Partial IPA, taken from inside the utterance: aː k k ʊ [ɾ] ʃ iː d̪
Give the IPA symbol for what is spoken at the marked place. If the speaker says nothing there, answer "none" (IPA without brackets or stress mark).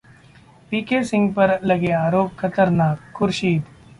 ɾ